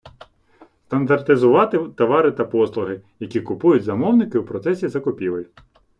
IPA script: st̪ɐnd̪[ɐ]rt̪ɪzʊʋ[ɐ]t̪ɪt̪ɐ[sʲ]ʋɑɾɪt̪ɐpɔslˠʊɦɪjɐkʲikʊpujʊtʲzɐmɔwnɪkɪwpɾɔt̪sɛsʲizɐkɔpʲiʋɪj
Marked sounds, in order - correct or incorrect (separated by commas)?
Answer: correct, incorrect, incorrect